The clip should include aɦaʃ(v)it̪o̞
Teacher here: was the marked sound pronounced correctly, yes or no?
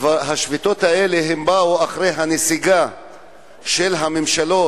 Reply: yes